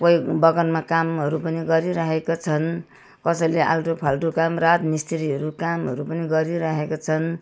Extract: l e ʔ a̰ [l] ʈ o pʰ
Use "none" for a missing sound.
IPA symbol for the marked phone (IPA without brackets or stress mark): l